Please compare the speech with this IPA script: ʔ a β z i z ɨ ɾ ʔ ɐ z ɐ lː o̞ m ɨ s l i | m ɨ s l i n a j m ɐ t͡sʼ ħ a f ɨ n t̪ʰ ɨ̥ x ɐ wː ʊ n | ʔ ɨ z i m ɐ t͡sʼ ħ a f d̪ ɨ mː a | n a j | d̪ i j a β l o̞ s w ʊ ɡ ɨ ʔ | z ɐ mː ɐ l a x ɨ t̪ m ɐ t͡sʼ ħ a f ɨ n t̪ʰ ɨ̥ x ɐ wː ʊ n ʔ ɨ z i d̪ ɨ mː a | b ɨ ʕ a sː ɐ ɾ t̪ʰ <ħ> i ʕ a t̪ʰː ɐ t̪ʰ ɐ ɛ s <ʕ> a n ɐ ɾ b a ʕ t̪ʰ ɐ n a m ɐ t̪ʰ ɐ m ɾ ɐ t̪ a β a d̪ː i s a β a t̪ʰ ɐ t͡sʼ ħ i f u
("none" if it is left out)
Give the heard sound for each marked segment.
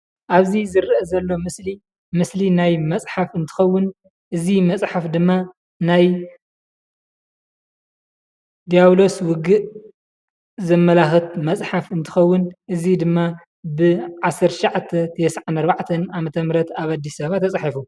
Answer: ʃ, ʕ

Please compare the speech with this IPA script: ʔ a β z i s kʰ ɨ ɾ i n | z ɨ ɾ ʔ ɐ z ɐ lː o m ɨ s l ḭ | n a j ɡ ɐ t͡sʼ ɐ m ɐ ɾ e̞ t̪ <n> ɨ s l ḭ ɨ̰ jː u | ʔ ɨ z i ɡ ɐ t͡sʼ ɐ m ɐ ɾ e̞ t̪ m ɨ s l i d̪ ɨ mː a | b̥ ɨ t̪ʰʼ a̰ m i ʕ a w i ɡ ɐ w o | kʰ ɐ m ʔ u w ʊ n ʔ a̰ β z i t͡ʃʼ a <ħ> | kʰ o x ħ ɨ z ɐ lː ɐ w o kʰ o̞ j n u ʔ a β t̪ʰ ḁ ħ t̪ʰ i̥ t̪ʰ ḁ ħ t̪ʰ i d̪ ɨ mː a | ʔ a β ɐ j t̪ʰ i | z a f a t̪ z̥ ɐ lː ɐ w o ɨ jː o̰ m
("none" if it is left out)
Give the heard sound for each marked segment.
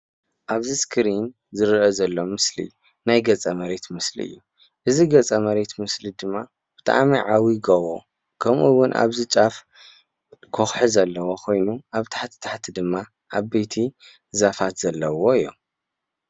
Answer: m, f

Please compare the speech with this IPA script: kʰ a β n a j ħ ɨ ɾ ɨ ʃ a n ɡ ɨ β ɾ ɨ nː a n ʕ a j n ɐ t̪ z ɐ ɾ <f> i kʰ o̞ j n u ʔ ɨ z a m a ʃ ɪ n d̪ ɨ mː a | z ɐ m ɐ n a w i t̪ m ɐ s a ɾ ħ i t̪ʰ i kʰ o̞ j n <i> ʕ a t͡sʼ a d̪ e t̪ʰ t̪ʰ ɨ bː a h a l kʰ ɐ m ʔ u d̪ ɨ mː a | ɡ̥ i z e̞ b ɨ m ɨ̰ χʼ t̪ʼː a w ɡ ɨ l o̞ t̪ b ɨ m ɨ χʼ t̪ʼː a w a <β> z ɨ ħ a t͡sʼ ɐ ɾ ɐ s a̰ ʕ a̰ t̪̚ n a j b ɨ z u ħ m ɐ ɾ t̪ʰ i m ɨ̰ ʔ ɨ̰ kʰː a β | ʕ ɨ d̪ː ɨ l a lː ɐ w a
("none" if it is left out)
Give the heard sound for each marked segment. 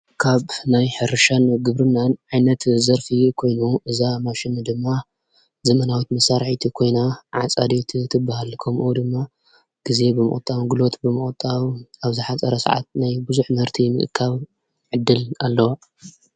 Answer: f, a, β

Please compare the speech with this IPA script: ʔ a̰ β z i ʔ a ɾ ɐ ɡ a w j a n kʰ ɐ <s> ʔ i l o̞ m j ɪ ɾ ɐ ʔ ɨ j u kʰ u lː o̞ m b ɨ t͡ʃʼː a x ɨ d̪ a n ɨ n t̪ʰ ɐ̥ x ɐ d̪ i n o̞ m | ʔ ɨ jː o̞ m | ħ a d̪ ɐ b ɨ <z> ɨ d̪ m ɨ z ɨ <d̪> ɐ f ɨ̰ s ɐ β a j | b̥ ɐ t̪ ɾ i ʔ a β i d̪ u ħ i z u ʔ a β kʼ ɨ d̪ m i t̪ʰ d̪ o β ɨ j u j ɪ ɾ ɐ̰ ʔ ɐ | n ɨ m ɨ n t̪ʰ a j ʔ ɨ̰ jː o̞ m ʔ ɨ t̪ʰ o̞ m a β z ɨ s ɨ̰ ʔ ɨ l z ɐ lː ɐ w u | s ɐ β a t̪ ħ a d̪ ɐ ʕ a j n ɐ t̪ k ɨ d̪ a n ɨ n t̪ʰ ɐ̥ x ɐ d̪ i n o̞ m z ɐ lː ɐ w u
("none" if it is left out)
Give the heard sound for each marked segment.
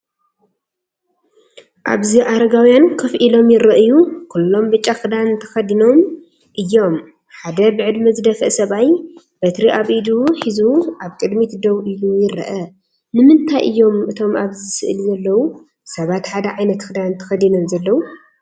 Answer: f, ʕ, d̪

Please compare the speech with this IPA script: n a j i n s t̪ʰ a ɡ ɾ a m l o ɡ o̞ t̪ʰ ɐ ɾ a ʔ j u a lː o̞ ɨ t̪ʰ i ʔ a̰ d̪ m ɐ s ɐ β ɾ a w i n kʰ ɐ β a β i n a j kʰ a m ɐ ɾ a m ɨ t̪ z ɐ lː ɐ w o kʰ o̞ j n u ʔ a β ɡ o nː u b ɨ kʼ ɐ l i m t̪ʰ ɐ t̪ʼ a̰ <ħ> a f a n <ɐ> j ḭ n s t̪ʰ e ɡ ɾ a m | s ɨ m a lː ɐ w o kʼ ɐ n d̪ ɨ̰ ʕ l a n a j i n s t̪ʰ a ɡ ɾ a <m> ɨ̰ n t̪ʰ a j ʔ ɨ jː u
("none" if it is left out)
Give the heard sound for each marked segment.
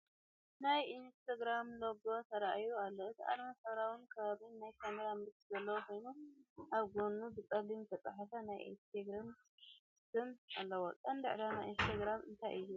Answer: ħ, a, m

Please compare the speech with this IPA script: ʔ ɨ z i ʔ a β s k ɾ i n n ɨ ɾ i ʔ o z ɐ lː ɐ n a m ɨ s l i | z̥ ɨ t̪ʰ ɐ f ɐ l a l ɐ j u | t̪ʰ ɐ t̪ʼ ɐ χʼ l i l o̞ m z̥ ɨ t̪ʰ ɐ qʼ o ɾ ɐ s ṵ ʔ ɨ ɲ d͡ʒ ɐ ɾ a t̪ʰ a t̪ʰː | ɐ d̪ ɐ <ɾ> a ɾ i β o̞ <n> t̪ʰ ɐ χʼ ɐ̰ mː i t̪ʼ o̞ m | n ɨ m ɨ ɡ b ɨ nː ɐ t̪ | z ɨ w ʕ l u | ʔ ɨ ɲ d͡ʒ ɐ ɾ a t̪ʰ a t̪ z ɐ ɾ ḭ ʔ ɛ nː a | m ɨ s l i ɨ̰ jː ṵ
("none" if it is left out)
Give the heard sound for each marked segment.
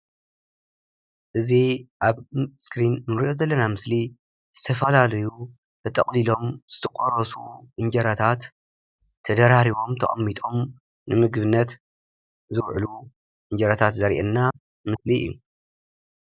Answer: ɾ, m

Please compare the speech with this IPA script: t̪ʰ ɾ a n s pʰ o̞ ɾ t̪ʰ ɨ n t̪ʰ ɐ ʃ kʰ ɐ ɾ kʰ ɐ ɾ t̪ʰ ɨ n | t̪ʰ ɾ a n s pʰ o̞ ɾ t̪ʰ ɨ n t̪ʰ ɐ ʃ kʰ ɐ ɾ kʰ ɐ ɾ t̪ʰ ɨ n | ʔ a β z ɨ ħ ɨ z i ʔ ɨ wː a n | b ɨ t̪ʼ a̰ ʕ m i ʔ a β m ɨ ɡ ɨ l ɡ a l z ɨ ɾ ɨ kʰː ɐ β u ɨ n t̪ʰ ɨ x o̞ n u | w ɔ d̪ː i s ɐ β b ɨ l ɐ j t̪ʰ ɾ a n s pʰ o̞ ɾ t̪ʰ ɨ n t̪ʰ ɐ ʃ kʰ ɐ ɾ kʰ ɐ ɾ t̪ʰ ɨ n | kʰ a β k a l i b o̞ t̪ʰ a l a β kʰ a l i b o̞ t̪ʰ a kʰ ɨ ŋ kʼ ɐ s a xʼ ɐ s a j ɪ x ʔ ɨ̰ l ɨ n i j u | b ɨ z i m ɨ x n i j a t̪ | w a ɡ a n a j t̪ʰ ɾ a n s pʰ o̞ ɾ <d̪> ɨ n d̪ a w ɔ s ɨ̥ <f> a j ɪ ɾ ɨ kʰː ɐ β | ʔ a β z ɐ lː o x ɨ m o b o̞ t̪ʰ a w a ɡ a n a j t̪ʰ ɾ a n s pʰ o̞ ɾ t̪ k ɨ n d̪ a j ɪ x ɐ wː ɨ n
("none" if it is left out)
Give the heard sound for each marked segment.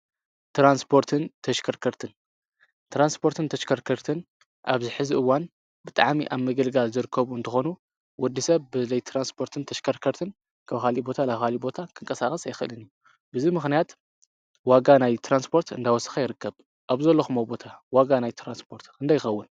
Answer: t̪, x

